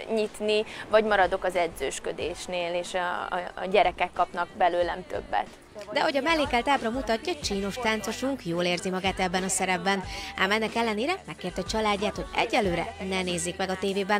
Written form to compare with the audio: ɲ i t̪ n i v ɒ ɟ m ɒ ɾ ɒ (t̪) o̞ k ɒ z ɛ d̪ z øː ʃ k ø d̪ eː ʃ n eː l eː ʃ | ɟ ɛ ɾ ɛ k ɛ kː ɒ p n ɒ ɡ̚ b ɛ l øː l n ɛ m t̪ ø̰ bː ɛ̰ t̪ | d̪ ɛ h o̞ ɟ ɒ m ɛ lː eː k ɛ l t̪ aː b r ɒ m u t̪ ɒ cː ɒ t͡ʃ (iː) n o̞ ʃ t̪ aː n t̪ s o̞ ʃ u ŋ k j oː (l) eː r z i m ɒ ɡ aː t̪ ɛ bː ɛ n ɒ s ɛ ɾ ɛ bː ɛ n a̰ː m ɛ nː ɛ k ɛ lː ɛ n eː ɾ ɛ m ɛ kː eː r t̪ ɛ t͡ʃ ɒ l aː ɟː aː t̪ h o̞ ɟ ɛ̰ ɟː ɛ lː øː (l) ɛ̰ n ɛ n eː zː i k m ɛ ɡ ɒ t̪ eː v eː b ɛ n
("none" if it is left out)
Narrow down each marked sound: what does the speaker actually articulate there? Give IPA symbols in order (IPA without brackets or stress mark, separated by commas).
d̪, iː, l, ɾ